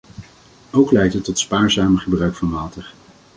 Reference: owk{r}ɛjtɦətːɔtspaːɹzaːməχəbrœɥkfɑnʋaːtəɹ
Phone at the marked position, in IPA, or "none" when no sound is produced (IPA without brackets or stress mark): l